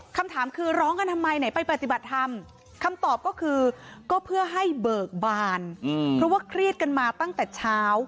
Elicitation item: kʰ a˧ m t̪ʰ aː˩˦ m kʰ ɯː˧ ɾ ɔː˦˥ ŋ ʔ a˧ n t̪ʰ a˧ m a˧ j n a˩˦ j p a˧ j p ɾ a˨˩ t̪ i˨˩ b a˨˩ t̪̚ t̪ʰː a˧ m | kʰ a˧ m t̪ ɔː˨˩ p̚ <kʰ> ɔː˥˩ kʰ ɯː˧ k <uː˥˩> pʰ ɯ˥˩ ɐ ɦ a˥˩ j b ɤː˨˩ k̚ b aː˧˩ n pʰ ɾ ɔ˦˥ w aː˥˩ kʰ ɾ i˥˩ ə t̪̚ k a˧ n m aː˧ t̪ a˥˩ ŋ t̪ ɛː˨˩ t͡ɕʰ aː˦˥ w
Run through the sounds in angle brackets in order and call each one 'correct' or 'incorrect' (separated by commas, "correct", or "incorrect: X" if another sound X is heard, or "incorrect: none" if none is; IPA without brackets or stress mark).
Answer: incorrect: k, incorrect: ɔː˥˩